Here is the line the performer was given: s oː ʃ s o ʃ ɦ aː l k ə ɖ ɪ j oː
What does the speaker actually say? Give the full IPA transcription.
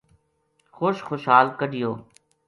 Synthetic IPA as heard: x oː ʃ x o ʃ ɦ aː l k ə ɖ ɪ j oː